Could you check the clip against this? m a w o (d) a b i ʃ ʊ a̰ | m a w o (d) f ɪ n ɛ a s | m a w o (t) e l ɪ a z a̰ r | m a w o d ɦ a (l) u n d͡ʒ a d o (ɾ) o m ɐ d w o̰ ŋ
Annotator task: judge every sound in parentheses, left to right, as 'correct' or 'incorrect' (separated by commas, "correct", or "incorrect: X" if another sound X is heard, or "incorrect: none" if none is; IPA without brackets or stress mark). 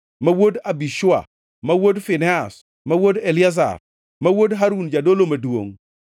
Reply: correct, correct, incorrect: d, incorrect: ɾ, incorrect: l